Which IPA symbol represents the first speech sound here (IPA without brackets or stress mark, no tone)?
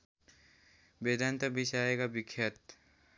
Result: b